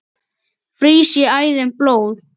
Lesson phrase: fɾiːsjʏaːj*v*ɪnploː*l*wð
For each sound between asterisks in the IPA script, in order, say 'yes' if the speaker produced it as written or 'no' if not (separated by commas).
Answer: no, no